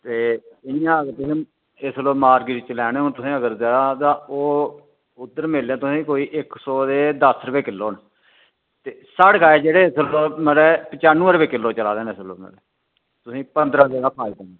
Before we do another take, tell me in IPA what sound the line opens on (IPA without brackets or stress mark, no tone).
t̪